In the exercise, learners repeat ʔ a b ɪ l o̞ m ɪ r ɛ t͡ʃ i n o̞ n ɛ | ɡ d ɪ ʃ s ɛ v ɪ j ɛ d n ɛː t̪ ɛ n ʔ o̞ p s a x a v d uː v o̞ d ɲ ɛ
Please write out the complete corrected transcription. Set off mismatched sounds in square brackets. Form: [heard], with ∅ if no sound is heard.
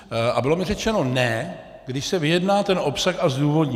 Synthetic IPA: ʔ a b ɪ l o̞ m ɪ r ɛ t͡ʃ [ɛ] n o̞ n ɛ | ɡ d ɪ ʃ s ɛ v ɪ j ɛ d n [aː] t̪ ɛ n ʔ o̞ p s a x a [z] d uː v o̞ d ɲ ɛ